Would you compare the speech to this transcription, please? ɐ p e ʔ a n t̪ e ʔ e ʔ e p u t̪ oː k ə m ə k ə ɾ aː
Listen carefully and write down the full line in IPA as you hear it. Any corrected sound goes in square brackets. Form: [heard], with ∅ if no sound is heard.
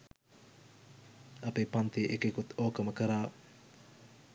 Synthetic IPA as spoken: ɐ p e [p] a n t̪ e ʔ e [k] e [k] u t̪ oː k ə m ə k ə ɾ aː